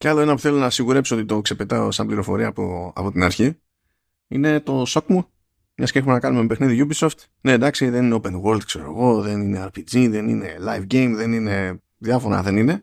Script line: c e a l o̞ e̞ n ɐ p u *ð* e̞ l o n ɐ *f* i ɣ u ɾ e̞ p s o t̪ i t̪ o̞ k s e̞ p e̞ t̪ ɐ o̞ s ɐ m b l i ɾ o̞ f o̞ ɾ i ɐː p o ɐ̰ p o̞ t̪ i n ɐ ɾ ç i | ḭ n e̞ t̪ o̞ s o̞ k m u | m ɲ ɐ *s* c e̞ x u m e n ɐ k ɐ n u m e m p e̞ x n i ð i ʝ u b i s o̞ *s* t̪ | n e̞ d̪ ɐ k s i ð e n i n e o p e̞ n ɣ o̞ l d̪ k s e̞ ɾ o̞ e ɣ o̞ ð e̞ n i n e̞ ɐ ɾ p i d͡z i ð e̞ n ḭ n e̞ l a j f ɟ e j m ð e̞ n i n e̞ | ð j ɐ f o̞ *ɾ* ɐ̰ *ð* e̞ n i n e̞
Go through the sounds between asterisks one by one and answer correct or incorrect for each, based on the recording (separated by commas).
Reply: incorrect, incorrect, correct, incorrect, correct, correct